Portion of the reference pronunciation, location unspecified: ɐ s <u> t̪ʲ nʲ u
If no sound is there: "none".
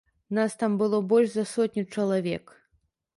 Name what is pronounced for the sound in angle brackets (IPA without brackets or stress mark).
ɔ